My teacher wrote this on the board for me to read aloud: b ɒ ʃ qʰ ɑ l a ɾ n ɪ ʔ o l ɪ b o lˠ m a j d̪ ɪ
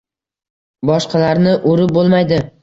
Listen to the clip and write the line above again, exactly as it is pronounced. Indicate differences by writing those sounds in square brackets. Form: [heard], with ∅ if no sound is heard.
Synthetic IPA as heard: b ɒ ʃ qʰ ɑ l a ɾ n ɪ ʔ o [ɾ] ɪ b o lˠ m a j d̪ ɪ